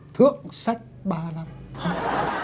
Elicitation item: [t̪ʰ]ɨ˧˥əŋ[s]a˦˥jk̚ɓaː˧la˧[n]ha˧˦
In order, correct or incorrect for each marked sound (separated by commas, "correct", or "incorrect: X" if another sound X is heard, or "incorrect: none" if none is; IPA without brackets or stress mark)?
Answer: correct, correct, incorrect: m